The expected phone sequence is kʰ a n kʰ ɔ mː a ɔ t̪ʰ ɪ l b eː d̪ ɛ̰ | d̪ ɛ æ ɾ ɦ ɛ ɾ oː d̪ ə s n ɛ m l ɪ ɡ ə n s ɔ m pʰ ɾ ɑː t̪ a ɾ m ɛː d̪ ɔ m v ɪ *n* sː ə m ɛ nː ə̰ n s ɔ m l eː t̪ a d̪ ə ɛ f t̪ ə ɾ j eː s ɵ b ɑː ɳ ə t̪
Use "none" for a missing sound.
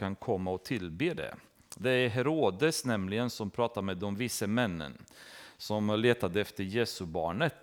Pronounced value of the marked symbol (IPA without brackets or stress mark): none